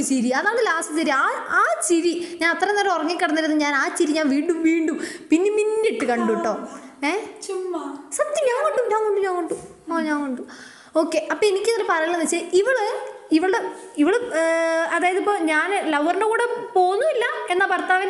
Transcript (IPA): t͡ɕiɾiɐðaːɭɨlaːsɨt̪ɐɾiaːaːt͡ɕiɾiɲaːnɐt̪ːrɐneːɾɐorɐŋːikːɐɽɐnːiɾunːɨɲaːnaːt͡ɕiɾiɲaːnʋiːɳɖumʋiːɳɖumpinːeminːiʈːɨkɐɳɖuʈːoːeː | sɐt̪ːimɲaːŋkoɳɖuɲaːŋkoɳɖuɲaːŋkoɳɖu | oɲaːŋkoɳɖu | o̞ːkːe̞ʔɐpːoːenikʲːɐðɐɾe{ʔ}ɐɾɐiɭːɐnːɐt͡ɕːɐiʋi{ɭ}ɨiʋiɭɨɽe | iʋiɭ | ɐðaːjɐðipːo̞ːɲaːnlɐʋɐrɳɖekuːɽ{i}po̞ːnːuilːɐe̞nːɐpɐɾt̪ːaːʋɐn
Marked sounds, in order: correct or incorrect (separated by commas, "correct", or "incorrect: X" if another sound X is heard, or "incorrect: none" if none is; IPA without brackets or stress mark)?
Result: incorrect: p, correct, incorrect: e